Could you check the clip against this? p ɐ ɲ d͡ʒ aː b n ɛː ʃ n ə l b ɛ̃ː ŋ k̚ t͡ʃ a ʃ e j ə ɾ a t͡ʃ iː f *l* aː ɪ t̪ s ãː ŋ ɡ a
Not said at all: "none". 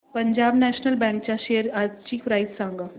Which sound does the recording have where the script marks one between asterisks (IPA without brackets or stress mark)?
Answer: ɾ